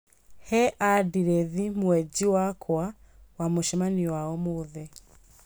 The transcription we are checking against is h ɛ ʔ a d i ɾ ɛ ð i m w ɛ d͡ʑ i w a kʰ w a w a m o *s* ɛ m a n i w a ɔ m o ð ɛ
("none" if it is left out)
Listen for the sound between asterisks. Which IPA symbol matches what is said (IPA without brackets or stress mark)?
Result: ʃ